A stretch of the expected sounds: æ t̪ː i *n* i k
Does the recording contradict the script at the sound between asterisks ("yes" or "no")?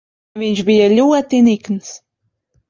no